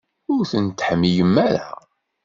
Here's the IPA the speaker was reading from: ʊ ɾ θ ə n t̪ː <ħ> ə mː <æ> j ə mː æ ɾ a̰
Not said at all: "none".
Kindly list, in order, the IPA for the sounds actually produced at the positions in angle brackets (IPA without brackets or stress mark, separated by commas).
ħ, i